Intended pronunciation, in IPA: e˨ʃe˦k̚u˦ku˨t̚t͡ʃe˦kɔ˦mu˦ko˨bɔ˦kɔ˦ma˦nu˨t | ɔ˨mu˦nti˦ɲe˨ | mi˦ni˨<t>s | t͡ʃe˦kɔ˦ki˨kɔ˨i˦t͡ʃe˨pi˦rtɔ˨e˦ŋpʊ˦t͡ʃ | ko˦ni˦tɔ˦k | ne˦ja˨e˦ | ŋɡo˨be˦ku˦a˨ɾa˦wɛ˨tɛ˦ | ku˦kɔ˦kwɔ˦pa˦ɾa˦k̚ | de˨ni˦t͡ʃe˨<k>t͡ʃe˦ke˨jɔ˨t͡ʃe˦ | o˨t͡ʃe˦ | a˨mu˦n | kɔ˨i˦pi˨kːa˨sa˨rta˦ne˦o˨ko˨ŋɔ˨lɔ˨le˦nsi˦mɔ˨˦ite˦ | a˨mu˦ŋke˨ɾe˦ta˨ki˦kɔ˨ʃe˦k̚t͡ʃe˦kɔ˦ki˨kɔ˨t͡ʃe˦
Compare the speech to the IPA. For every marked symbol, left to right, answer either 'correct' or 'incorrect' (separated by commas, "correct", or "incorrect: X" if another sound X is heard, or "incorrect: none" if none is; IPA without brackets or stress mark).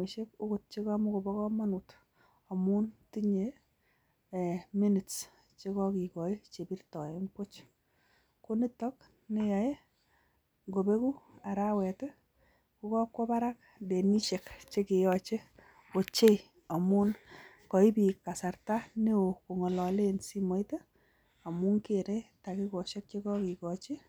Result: correct, correct